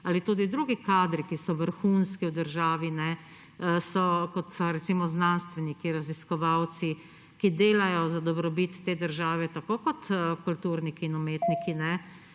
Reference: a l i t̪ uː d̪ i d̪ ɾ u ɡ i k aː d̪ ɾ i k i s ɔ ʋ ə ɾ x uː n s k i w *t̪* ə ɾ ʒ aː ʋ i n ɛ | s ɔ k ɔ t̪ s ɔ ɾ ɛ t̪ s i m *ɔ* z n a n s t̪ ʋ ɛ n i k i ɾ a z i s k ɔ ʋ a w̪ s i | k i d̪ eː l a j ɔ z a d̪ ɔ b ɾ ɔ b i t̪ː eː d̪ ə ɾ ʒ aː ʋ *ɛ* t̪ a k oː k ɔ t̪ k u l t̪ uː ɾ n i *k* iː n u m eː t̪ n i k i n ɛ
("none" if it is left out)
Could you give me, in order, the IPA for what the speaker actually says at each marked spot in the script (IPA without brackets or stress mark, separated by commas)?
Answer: d̪, ɔ, ɛ, k